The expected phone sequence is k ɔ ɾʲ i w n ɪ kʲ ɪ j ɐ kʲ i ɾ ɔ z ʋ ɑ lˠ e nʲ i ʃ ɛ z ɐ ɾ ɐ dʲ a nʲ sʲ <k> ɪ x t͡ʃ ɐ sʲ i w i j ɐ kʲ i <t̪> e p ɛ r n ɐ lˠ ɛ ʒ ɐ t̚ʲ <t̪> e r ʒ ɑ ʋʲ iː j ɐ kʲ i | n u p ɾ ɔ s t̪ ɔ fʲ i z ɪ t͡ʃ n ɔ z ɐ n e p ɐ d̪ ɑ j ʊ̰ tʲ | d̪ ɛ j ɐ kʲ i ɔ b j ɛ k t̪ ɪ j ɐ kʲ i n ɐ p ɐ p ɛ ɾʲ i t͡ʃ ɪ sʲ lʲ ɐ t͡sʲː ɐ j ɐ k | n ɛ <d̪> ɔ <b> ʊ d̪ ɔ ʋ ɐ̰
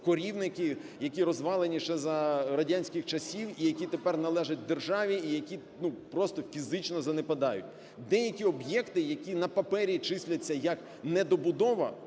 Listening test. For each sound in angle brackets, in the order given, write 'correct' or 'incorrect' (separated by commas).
correct, correct, incorrect, correct, correct